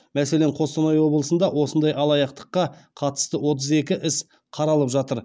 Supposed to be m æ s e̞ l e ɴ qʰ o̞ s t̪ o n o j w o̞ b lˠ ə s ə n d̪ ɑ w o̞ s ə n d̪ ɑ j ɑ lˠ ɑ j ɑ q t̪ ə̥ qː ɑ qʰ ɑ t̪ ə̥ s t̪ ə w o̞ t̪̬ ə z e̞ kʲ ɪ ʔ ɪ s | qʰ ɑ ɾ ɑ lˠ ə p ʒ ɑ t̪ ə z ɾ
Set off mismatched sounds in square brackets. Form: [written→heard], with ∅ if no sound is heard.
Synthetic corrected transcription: m æ s e̞ l e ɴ qʰ o̞ s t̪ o n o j w o̞ b lˠ ə s ə n d̪ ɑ w o̞ s ə n d̪ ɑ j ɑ lˠ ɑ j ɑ q t̪ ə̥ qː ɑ qʰ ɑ t̪ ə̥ s t̪ ə w o̞ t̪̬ ə z e̞ kʲ ɪ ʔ ɪ s | qʰ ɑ ɾ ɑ lˠ ə p ʒ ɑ t̪ ə [z→∅] ɾ